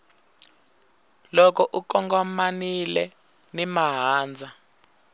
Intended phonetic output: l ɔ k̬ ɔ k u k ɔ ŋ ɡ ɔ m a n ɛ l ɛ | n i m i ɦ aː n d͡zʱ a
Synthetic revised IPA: l ɔ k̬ ɔ ʔ u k ɔ ŋ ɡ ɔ m a n i l ɛ | n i m a ɦ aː n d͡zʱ a

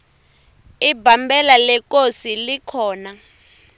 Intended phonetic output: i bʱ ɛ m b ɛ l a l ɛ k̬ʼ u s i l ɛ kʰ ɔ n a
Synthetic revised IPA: i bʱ a m b ɛ l a l ɛ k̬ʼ o s i l i kʰ ɔː n a

